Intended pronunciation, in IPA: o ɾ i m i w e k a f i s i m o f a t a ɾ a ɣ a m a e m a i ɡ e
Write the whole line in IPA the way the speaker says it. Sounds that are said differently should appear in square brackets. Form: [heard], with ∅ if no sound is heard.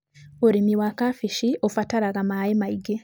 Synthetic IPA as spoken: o ɾ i m i w [a] k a f i [ʃ] i [∅] o f a t a ɾ a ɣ a m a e m a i ɡ e

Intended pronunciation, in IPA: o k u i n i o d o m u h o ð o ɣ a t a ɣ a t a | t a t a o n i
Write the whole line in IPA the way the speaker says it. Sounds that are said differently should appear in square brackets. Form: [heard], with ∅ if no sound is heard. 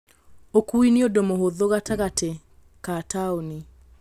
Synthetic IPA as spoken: o k u i n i o d o m [o] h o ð o ɣ a t a ɣ a t [e] | [k] a t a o n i

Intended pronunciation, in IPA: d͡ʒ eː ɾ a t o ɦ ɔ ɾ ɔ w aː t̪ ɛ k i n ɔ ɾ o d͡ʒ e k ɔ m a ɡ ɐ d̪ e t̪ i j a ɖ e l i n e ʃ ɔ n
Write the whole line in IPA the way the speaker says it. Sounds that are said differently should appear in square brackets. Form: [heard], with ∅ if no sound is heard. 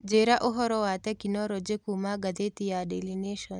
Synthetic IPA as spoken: d͡ʒ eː ɾ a [ʔ] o ɦ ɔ ɾ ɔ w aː t̪ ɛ k i n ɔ ɾ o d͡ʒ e k [u] m a ɡ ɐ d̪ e t̪ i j a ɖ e l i n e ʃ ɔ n

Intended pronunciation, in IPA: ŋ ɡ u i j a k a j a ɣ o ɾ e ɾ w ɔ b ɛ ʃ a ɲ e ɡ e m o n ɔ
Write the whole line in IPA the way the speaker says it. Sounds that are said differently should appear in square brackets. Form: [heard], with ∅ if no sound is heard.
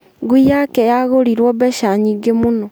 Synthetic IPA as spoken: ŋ ɡ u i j a k [ɛ] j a ɣ o ɾ [i] ɾ w ɔ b ɛ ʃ a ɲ [i] ɡ e m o n ɔ

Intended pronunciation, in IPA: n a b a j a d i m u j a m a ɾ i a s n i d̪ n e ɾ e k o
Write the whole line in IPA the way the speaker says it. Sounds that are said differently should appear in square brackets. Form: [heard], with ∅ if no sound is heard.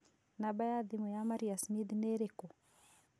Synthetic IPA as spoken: n a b a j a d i m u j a m a ɾ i a s [m] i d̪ n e ɾ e k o

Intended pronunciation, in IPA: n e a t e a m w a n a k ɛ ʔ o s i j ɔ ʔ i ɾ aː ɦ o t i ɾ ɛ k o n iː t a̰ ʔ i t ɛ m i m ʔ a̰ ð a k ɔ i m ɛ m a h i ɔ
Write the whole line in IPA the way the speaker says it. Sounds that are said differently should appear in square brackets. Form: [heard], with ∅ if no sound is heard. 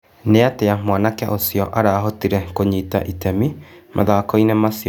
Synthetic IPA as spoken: n e a t e a m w a n a k ɛ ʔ o s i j ɔ ʔ [a] ɾ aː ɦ o t i ɾ ɛ k o [ɲ] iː t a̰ ʔ i t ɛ m i m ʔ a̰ ð a k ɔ i [n] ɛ m a [s] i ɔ

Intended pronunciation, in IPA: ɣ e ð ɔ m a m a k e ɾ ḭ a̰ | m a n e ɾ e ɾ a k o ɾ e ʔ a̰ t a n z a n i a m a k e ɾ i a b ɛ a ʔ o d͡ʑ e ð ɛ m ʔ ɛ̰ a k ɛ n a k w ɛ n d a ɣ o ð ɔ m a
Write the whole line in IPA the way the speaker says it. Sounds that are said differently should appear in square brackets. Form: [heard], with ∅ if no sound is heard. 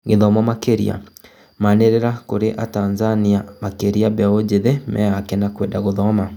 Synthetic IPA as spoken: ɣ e ð ɔ m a m a k e ɾ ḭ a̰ | m a n e ɾ e ɾ a k o ɾ e ʔ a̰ t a n z a n i a m a k e ɾ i a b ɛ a [∅] o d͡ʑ e ð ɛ m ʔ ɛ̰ a k ɛ n a k w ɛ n d a ɣ o ð ɔ m a

